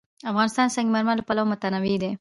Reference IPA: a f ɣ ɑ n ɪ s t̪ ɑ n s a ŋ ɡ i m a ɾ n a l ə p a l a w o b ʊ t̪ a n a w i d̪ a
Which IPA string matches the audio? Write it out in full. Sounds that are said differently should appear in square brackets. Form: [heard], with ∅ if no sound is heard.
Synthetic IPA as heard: a f ɣ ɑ n ɪ s t̪ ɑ n s a ŋ ɡ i m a ɾ [m] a l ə p a l a w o [m] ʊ t̪ a n a w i d̪ [e]